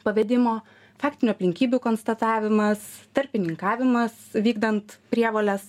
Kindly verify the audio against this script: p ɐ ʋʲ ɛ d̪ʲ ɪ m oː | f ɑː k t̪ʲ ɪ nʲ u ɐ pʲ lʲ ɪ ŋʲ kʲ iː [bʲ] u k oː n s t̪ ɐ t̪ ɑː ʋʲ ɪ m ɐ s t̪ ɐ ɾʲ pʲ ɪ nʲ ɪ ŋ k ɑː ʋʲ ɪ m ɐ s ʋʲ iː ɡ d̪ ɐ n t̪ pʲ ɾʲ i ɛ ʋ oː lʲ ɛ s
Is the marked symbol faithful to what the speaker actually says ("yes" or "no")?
yes